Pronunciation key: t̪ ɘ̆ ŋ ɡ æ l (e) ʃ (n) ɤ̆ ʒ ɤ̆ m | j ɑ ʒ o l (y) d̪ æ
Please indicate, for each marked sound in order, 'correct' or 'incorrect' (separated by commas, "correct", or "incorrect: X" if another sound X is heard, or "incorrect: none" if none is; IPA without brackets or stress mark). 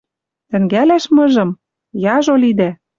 incorrect: æ, incorrect: m, incorrect: i